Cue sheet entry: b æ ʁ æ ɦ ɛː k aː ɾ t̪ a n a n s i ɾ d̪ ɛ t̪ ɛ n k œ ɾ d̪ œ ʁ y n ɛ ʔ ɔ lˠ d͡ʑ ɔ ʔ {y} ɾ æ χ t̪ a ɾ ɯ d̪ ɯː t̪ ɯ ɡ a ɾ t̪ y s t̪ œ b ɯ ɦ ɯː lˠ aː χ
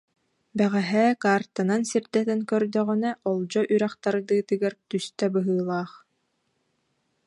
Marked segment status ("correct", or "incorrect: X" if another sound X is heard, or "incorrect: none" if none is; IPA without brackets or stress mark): correct